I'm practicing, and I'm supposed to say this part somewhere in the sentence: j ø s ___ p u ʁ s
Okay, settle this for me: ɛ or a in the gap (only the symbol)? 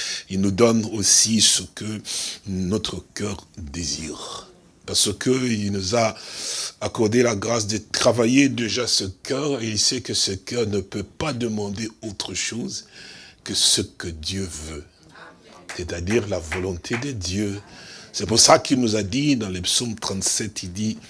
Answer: ɛ